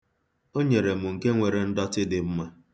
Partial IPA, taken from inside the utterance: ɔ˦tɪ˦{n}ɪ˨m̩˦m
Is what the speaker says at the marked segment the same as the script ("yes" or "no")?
no